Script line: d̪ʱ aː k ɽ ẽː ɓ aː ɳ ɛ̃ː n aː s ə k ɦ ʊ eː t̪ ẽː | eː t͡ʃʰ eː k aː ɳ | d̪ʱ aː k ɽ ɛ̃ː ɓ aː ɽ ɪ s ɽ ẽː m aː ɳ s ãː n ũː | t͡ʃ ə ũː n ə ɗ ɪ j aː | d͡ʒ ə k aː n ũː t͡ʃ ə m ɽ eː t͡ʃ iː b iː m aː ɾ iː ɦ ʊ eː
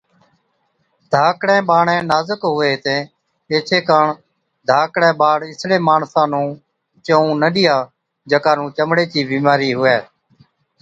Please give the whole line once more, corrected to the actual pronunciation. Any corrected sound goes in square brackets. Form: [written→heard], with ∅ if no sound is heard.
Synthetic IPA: d̪ʱ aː k ɽ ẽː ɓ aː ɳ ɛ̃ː n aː [s→z] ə k ɦ ʊ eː t̪ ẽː | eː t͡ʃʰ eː k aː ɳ | d̪ʱ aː k ɽ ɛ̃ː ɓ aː ɽ ɪ s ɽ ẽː m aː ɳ s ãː n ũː | t͡ʃ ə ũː n ə ɗ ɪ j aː | d͡ʒ ə k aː n ũː t͡ʃ ə m ɽ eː t͡ʃ iː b iː m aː ɾ iː ɦ ʊ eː